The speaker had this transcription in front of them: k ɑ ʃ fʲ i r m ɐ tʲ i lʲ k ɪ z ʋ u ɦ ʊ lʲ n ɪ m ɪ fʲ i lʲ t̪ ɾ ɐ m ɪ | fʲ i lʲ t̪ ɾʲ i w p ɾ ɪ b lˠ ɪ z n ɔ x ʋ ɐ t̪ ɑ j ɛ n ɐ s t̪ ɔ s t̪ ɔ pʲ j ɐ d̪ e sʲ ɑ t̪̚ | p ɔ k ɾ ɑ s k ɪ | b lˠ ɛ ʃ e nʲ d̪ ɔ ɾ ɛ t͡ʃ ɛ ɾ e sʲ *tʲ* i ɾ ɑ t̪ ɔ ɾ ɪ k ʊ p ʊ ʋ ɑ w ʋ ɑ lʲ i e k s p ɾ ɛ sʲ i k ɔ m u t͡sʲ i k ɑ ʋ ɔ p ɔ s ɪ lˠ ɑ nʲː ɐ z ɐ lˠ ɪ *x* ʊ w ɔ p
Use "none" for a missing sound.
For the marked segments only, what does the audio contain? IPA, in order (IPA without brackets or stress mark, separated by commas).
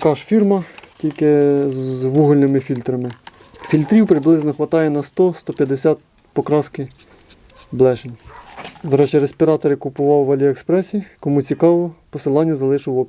pʲ, ʃ